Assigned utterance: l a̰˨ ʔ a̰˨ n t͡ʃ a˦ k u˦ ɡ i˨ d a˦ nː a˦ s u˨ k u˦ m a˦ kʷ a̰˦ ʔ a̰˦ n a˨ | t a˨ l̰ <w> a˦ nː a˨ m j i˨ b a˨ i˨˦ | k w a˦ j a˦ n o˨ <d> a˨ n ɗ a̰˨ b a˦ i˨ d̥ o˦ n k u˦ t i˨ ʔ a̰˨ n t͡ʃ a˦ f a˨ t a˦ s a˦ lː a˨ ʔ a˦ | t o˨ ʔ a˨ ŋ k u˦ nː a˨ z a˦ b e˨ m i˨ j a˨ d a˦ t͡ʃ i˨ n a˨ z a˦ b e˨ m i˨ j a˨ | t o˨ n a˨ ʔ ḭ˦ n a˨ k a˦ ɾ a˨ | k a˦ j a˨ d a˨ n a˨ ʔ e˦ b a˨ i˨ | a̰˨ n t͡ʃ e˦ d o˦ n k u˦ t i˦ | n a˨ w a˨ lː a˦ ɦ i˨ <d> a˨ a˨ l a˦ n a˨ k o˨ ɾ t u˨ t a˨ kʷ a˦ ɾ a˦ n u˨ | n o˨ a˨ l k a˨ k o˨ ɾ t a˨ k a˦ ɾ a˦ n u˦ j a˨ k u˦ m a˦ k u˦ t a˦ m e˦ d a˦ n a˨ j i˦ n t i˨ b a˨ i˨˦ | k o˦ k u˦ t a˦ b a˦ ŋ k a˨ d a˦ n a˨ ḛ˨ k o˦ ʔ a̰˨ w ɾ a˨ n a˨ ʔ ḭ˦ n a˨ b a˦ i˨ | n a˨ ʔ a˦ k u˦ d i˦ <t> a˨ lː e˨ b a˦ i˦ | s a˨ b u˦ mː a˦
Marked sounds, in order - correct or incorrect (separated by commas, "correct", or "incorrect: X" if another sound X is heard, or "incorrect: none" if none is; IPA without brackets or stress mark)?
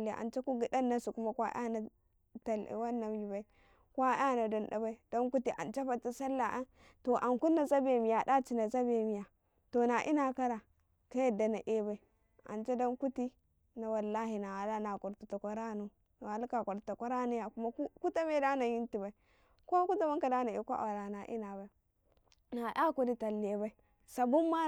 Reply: correct, correct, incorrect: n, correct